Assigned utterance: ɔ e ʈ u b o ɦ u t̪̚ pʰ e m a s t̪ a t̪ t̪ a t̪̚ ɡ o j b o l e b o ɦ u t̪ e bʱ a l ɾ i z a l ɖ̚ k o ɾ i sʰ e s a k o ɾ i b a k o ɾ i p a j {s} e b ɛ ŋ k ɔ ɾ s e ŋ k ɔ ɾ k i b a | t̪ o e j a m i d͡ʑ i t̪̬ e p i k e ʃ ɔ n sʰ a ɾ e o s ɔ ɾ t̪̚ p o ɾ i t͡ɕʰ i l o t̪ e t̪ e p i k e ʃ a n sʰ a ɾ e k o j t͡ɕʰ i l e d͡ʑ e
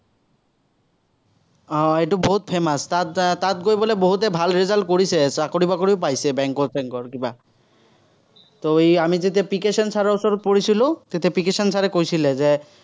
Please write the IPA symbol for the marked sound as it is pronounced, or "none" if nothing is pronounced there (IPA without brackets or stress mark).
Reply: s